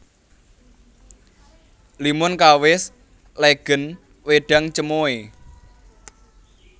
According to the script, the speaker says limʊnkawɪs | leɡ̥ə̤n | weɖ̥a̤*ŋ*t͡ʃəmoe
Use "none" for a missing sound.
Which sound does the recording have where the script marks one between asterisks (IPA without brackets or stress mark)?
ŋ